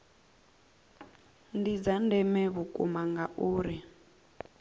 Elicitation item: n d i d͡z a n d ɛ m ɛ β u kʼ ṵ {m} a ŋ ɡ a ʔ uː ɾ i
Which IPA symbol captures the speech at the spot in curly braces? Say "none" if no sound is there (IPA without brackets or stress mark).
m